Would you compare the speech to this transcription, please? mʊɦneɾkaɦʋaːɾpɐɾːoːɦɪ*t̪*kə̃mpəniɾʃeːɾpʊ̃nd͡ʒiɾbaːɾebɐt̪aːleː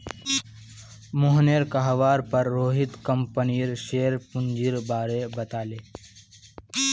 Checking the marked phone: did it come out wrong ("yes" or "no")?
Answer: no